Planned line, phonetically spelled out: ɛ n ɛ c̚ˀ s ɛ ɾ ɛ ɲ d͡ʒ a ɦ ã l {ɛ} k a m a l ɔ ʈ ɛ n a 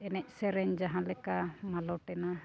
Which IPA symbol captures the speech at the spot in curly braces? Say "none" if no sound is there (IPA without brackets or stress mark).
ɛ